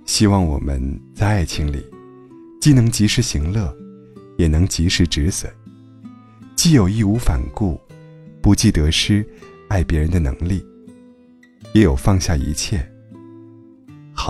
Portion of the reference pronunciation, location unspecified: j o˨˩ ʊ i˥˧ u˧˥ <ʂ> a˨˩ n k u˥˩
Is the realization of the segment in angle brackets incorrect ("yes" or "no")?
yes